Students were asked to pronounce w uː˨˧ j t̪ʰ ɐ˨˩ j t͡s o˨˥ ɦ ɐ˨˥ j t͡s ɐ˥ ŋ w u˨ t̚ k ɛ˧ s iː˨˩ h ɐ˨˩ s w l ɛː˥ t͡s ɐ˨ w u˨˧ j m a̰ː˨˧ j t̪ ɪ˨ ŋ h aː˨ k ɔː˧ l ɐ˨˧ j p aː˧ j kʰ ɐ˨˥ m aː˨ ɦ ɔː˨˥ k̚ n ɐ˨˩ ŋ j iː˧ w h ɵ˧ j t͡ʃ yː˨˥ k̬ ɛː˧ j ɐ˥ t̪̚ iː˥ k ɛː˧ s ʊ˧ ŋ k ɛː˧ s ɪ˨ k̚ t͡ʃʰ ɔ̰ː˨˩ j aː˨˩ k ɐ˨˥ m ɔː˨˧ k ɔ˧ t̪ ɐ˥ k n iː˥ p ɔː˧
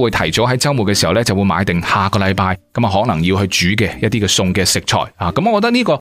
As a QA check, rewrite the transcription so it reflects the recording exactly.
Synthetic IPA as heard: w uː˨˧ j t̪ʰ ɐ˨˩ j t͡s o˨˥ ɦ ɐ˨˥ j t͡s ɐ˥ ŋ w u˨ t̚ k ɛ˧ s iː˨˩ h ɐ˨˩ w l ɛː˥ t͡s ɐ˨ w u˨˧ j m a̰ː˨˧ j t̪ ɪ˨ ŋ h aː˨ k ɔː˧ l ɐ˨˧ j p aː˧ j k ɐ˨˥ m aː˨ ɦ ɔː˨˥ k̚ n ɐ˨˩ ŋ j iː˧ w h ɵ˧ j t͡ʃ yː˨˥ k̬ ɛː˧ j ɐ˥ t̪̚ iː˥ k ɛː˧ s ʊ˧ ŋ k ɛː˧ s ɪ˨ k̚ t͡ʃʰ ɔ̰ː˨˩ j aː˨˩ k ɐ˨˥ m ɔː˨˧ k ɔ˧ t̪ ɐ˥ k n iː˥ k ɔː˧